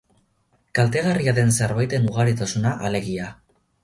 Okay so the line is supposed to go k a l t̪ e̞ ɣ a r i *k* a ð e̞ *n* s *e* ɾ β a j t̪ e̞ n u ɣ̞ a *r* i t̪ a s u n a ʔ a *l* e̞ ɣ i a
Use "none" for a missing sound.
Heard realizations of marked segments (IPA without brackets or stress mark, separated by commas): none, n, e, ɾ, l